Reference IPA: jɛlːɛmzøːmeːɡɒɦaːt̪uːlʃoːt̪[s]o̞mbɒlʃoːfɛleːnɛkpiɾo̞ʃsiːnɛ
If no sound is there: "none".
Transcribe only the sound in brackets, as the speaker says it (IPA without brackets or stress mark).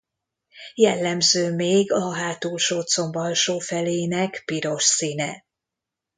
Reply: s